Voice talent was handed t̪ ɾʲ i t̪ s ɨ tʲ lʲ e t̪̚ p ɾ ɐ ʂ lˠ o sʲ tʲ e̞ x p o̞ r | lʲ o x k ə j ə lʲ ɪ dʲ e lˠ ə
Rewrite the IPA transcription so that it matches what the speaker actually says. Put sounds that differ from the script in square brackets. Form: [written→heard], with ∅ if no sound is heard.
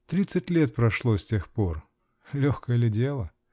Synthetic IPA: t̪ ɾʲ i t̪ s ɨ tʲ lʲ e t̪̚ p ɾ ɐ ʂ lˠ o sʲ tʲ e̞ x p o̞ r | lʲ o x k ə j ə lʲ ɪ dʲ e lˠ ə